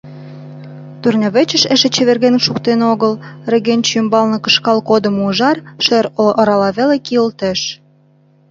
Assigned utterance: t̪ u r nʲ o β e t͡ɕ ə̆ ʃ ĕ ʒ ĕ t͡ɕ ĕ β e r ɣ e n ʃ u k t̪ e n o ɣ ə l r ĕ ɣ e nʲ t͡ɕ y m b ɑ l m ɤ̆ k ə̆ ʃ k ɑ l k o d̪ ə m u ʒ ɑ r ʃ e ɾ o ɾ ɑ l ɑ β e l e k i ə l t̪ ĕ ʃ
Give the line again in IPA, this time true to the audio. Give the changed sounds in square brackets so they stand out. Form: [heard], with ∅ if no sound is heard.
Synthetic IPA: t̪ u r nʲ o β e t͡ɕ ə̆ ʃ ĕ [ʃ] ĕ t͡ɕ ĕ β e r ɣ e n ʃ u k t̪ e n o ɣ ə l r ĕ ɣ e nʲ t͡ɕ y m b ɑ l [n] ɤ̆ k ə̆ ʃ k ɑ l k o d̪ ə m u ʒ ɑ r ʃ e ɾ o ɾ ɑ l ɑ β e l e k i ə l t̪ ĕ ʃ